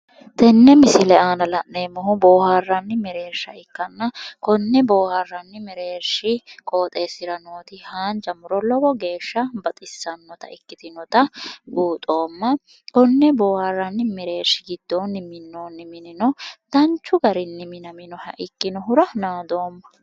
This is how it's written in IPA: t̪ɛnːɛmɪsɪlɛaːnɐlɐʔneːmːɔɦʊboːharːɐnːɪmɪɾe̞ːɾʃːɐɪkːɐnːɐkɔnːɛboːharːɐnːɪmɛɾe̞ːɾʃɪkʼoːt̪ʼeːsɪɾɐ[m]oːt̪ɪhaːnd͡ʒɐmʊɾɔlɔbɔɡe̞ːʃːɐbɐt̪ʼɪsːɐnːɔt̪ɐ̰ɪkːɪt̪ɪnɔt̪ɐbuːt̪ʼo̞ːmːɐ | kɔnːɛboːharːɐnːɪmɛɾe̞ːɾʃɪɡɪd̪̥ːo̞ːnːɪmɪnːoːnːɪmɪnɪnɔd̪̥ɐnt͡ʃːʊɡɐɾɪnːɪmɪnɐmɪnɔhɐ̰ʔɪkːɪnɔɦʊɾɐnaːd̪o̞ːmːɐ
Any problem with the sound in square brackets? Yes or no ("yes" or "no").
yes